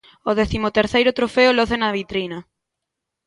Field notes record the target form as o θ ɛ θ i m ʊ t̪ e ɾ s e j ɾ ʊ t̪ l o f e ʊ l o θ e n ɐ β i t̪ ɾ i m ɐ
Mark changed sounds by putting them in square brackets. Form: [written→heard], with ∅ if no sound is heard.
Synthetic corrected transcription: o [θ→ð] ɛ θ i m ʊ t̪ e ɾ [s→θ] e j ɾ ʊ t̪ [l→ɾ] o f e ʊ l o θ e n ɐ β i t̪ ɾ i [m→n] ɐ